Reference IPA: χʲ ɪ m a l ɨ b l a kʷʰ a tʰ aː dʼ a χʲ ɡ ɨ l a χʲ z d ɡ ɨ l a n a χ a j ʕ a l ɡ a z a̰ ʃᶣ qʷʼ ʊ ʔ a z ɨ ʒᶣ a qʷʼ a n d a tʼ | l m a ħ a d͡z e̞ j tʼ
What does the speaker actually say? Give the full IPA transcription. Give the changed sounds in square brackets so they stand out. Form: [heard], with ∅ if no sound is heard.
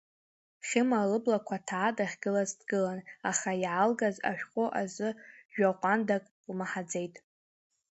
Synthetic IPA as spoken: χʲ ɪ m a l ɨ b l a kʷʰ a tʰ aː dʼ a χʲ ɡ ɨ l a [∅] z d ɡ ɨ l a n a χ a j ʕ a l ɡ a z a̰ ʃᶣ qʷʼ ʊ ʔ a z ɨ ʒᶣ a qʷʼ a n d a [kʼ] | l m a ħ a d͡z e̞ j tʼ